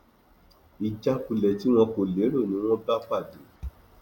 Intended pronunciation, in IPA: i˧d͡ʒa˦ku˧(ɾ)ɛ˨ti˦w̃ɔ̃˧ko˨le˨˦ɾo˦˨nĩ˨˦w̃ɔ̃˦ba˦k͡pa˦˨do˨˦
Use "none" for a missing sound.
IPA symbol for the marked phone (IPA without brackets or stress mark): l